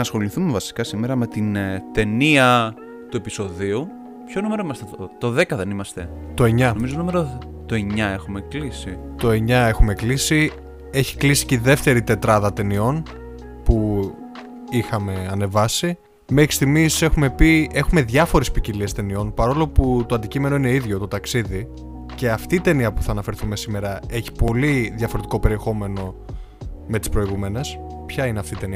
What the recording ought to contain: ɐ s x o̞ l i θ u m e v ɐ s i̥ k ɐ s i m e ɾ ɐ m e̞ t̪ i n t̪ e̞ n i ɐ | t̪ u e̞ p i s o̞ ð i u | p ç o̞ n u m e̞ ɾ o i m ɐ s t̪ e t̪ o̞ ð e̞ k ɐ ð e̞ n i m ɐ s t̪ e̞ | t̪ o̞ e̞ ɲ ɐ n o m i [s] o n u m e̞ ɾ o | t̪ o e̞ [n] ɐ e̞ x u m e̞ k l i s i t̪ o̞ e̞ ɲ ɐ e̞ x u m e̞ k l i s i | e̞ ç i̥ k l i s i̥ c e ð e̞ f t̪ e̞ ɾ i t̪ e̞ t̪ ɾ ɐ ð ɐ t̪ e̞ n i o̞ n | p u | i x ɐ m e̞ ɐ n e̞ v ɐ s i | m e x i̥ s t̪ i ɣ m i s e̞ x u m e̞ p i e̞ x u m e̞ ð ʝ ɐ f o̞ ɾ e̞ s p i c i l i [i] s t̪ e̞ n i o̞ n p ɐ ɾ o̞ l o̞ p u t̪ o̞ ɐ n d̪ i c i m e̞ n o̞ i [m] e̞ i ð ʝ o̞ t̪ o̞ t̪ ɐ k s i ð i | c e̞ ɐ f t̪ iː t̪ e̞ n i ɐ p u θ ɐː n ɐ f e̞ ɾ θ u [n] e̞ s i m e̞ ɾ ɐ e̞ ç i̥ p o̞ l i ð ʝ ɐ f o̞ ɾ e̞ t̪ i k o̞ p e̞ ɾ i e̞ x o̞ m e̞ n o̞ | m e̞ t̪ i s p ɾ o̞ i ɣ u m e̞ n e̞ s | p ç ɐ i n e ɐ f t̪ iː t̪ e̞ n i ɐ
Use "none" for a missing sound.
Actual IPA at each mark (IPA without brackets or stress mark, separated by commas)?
z, ɲ, e, n, m